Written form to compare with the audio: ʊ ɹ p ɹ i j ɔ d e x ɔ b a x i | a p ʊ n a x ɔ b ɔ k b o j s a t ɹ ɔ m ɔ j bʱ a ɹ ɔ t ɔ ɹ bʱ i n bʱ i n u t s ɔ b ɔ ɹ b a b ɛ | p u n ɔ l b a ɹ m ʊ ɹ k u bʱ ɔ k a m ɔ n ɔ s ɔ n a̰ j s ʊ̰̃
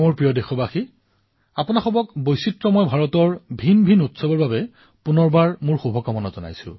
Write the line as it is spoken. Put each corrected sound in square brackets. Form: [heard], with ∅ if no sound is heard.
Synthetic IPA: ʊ ɹ p ɹ i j ɔ d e x ɔ b a x i | a p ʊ n a x ɔ b ɔ k b o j s [i] t ɹ ɔ m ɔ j bʱ a ɹ ɔ t ɔ ɹ bʱ i n bʱ i n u t s ɔ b ɔ ɹ b a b ɛ | p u n ɔ [ɹ] b a ɹ m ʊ ɹ [x] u bʱ ɔ k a m ɔ n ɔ [z] ɔ n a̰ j s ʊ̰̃

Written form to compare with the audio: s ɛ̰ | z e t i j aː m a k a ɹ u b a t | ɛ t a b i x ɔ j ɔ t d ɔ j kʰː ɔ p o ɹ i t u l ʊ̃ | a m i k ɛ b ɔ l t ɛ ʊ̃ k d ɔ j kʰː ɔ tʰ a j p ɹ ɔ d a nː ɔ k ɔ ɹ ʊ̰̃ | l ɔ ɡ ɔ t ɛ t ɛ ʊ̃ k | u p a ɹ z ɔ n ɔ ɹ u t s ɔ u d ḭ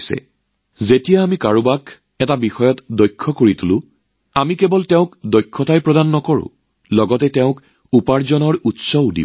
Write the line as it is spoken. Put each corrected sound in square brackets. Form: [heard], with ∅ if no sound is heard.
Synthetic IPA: s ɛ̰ | z e t i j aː m [i] k a ɹ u b a [k] | ɛ t a b i x ɔ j ɔ t d ɔ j kʰː ɔ [k] o ɹ i t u l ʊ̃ | a m i k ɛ b ɔ l t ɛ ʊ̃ k d ɔ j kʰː ɔ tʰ a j p ɹ ɔ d a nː ɔ k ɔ ɹ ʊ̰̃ | l ɔ ɡ ɔ t ɛ t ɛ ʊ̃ k | u p a ɹ z ɔ n ɔ ɹ u t s ɔ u d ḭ

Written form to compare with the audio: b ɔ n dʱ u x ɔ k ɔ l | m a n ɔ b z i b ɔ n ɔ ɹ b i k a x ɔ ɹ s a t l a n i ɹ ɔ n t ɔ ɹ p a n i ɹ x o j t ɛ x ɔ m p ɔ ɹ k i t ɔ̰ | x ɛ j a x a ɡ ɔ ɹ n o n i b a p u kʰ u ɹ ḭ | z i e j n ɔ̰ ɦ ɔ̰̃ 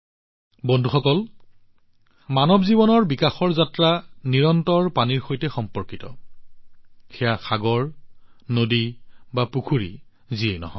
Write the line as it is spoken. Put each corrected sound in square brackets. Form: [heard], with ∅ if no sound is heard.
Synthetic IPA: b ɔ n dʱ u x ɔ k ɔ l | m a n ɔ b z i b ɔ n ɔ ɹ b i k a x ɔ ɹ [z] a t [ɹ] a n i ɹ ɔ n t ɔ ɹ p a n i ɹ x o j t ɛ x ɔ m p ɔ ɹ k i t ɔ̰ | x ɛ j a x a ɡ ɔ ɹ n o [d] i b a p u kʰ u ɹ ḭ | z i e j n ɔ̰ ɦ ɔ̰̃

